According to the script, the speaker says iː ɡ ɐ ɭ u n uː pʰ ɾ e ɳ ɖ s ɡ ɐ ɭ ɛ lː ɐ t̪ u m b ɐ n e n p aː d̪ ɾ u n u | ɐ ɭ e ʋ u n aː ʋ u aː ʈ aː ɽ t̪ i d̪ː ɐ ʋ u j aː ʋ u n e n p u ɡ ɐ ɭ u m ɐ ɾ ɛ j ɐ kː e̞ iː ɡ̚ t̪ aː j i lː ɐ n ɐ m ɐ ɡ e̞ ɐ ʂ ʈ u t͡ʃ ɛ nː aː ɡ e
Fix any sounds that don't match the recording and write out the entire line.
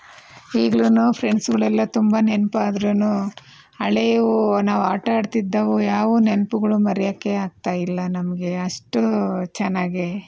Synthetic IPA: iː ɡ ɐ ɭ u n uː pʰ ɾ e ɳ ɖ s ɡ ɐ ɭ ɛ lː ɐ t̪ u m b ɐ n e n p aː d̪ ɾ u n u | ɐ ɭ e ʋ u n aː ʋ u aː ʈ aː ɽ t̪ i d̪ː ɐ ʋ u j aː ʋ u n e n p u ɡ ɐ ɭ u m ɐ ɾ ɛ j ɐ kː e̞ aː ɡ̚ t̪ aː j i lː ɐ n ɐ m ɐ ɡ e̞ ɐ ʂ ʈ u t͡ʃ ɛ nː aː ɡ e

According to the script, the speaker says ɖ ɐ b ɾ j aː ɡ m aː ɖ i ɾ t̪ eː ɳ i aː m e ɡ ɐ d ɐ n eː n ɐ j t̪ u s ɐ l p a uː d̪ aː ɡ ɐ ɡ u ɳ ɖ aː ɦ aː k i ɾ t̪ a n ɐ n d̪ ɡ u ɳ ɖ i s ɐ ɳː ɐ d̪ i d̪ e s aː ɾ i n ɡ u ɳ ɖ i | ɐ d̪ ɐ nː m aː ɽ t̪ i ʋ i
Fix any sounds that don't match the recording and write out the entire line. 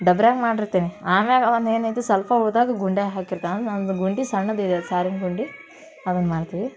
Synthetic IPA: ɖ ɐ b ɾ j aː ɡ m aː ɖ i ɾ t̪ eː n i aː m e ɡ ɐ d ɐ n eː n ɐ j t̪ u s ɐ l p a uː d̪ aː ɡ ɐ ɡ u ɳ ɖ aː ɦ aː k i ɾ t̪ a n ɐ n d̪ ɡ u ɳ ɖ i s ɐ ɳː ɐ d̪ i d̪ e s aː ɾ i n ɡ u ɳ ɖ i | ɐ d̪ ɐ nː m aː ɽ t̪ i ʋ i

